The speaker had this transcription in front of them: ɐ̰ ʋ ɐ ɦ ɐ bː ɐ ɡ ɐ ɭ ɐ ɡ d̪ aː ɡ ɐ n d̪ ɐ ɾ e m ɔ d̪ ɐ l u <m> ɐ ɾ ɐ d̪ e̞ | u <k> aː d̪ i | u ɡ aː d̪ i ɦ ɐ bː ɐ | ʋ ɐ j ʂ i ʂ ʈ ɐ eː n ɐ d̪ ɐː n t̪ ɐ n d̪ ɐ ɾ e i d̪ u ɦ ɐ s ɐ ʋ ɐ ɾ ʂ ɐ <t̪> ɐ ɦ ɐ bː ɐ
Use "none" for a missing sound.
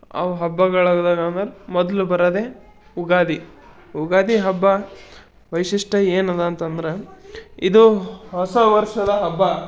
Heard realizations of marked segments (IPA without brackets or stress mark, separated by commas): b, ɡ, d̪